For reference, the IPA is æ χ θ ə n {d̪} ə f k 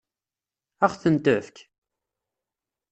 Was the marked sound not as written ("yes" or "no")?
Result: yes